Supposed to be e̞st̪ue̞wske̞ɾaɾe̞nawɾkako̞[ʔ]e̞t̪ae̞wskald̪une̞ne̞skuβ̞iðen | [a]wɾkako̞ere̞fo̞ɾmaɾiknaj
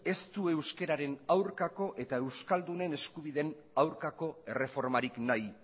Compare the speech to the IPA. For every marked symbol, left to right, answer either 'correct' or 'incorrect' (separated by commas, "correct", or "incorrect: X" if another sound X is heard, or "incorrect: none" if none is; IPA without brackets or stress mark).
correct, correct